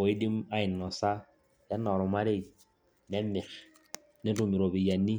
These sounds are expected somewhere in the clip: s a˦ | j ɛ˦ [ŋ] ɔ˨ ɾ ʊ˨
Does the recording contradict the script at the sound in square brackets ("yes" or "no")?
yes